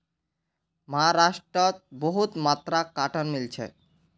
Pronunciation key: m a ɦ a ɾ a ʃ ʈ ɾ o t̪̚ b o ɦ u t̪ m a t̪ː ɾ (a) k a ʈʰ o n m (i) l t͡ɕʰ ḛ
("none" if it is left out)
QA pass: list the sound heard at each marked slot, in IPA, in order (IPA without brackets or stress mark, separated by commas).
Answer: a, i